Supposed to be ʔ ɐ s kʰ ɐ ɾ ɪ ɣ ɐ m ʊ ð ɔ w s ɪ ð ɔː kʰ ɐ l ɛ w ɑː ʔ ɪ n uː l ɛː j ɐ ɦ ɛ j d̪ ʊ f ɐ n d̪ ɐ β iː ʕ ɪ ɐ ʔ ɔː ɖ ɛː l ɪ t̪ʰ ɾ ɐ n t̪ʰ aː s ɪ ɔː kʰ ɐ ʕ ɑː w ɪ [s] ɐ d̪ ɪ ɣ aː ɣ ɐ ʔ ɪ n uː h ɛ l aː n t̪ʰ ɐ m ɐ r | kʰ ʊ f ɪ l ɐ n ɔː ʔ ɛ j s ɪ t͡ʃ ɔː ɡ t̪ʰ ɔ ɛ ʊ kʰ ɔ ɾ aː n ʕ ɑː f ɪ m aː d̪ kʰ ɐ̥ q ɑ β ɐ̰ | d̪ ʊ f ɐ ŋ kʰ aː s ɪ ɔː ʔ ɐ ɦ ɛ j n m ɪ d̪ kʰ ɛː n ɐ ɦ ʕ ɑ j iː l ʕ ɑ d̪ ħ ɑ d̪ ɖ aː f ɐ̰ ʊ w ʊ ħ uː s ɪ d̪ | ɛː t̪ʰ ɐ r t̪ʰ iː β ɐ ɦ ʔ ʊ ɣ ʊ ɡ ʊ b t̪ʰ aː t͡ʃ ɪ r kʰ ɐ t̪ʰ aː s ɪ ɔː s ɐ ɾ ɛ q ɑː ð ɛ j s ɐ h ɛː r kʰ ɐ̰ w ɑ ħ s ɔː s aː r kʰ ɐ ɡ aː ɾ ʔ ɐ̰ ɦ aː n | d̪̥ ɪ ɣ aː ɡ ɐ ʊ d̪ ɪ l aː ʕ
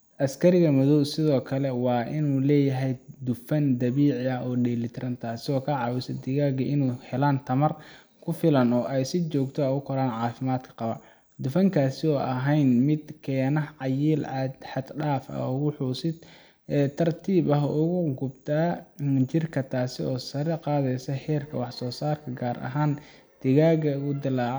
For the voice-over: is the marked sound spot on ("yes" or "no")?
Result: yes